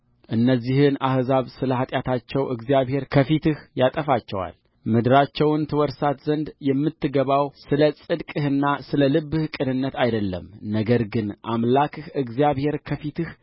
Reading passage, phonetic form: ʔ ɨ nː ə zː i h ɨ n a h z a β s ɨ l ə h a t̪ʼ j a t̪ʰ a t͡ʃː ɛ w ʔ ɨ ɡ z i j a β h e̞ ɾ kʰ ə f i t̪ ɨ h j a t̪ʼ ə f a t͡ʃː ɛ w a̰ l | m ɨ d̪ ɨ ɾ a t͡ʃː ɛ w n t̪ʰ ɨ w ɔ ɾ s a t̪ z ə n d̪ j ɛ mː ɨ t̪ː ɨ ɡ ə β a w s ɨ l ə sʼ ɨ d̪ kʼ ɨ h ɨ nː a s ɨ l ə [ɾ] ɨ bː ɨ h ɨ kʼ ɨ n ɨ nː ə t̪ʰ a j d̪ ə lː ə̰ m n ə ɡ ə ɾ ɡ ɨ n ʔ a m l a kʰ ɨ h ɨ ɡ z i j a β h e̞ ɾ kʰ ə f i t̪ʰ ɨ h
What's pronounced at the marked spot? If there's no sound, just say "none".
l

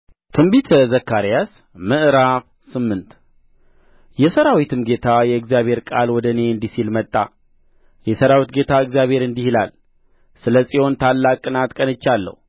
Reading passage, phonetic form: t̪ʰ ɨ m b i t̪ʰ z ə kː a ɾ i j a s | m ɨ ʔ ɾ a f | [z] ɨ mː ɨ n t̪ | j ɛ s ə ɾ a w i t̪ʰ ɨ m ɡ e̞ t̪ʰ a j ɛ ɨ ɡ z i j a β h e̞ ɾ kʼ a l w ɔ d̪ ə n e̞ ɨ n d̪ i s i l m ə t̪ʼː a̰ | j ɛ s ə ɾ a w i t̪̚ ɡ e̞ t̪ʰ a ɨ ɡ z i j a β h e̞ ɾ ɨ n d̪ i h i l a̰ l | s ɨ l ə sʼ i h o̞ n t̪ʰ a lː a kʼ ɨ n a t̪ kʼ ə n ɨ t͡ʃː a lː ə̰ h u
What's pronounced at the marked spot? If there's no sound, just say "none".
s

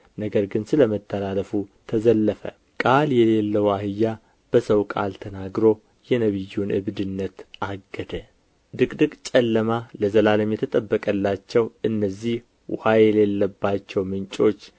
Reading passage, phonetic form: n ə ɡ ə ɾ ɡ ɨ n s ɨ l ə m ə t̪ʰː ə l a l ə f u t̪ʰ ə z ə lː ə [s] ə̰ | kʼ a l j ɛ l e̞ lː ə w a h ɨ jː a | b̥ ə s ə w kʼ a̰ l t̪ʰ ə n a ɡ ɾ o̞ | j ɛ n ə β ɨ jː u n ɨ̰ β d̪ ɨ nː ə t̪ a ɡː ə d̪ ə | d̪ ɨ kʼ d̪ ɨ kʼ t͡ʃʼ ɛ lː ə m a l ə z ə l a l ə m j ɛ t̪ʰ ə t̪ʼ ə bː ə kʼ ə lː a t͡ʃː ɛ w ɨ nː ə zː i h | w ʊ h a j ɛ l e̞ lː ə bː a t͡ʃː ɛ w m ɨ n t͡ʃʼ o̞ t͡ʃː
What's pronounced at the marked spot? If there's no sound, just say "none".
f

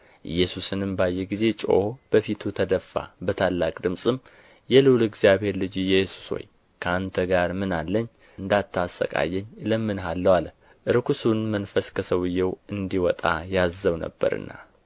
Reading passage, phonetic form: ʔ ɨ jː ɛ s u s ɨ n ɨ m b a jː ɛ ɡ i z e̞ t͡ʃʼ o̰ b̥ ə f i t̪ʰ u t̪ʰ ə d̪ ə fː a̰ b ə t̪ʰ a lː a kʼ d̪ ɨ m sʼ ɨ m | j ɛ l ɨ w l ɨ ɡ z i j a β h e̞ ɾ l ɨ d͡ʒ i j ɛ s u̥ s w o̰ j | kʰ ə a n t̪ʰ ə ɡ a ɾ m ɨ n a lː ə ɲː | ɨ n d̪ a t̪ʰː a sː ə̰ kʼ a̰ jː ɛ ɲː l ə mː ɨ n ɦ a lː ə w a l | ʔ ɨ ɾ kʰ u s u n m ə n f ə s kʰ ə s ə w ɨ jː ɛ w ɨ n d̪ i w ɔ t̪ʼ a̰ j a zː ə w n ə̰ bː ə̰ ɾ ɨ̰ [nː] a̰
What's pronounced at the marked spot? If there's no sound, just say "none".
nː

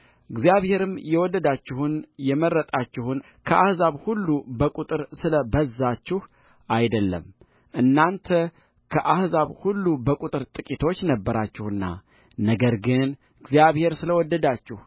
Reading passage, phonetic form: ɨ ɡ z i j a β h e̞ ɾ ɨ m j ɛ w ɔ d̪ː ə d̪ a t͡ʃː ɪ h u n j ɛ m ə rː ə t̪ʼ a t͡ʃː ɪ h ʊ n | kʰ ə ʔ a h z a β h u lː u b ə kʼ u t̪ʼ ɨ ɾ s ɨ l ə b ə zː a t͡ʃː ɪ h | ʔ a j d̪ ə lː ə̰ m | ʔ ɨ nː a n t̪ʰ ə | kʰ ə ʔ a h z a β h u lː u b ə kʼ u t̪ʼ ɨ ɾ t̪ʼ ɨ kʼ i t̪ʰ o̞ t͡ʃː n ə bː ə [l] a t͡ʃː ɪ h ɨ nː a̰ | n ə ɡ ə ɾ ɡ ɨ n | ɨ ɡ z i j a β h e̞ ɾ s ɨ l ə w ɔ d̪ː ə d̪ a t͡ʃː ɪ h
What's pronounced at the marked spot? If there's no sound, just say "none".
ɾ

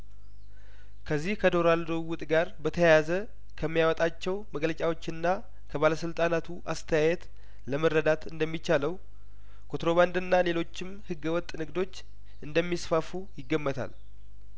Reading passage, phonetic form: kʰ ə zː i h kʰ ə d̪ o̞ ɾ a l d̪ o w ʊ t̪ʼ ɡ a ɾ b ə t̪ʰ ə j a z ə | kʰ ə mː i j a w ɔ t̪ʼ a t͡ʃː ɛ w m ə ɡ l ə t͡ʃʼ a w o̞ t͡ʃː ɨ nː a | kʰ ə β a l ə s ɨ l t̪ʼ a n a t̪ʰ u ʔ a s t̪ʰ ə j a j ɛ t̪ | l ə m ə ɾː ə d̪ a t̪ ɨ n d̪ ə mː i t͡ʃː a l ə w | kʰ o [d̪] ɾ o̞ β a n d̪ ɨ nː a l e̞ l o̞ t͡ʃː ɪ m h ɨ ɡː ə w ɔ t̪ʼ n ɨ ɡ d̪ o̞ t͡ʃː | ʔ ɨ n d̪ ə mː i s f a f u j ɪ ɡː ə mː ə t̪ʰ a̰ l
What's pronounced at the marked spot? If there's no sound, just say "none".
t̪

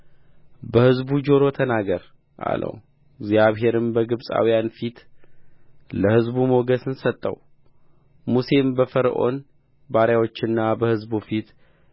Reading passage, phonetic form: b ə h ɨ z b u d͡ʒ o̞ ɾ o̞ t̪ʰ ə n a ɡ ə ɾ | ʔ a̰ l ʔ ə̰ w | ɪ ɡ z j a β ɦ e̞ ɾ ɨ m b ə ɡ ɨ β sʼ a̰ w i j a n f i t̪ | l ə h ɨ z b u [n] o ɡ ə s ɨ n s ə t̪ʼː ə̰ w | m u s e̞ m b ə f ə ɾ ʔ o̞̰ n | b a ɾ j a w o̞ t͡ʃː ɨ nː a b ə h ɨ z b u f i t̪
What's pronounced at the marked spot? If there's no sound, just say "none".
m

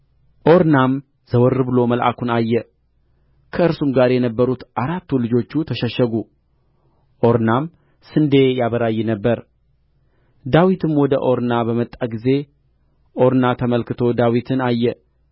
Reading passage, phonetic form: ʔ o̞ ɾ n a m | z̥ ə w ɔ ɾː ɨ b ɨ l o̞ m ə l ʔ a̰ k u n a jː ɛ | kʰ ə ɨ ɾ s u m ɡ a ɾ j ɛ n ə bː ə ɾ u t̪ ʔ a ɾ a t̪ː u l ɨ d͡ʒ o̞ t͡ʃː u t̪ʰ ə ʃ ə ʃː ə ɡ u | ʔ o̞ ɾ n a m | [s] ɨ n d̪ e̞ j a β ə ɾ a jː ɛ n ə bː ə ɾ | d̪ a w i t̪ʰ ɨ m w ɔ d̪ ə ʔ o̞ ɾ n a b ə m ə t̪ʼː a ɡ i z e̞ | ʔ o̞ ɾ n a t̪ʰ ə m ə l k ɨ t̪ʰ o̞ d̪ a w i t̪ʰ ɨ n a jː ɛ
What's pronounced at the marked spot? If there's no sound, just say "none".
s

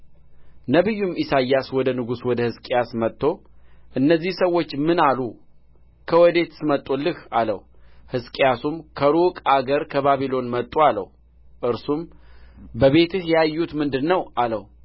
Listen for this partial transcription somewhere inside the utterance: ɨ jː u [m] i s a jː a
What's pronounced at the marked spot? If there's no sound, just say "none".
m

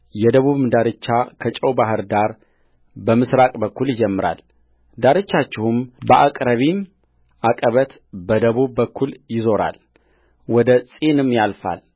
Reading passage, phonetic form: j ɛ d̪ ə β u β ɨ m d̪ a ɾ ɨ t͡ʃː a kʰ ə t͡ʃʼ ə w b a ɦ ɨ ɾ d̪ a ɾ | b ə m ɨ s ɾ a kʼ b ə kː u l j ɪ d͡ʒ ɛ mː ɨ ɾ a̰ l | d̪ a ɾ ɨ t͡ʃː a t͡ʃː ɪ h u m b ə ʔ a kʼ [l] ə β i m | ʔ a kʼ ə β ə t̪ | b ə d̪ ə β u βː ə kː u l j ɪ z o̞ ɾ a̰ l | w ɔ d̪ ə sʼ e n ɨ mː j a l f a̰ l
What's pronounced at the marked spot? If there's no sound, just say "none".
ɾ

